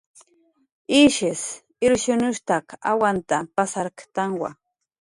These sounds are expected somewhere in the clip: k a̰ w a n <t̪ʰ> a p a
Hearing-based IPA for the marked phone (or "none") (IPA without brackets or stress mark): t̪